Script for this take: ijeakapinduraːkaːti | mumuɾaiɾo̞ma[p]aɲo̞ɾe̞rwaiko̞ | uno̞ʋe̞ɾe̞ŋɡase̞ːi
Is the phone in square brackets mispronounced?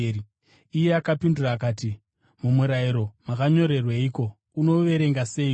yes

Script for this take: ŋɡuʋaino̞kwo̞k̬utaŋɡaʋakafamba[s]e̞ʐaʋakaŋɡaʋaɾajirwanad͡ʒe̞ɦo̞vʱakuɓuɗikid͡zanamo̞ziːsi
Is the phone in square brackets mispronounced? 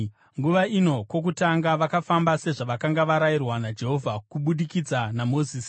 no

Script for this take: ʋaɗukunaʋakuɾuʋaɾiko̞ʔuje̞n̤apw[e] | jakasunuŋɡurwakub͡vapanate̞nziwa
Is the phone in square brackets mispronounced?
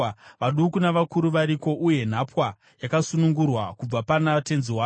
yes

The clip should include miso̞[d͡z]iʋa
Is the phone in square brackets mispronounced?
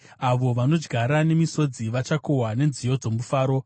no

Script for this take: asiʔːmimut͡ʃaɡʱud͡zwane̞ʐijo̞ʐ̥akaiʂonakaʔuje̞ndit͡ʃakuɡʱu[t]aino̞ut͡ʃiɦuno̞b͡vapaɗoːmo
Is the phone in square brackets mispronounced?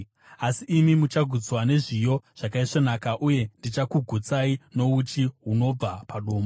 yes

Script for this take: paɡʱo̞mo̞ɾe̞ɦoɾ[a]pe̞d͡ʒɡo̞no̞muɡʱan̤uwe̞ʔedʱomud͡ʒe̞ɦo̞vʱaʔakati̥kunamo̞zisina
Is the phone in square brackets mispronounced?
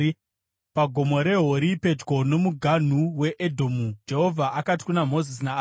yes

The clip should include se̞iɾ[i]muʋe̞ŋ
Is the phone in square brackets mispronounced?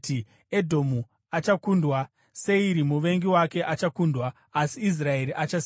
no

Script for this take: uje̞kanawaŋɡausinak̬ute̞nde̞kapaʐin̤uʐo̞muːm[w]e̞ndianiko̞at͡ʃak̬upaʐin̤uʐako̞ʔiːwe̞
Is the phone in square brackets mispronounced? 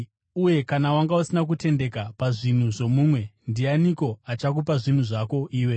no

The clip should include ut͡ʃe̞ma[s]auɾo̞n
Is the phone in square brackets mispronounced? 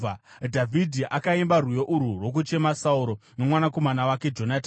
no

